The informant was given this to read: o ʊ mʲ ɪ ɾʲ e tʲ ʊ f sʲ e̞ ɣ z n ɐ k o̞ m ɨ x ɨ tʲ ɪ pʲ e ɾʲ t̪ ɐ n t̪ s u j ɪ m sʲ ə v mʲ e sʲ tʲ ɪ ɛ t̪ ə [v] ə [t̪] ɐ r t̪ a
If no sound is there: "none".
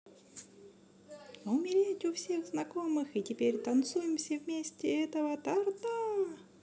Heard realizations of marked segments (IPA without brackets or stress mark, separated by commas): v, t̪